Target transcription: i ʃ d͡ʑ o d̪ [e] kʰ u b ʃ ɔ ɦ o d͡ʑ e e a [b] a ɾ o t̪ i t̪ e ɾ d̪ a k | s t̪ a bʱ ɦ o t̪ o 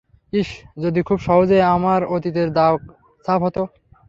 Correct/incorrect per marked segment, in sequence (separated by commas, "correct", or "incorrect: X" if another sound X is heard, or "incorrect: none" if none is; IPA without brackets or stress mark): incorrect: i, incorrect: m